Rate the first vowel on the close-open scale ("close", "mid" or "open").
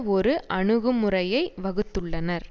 mid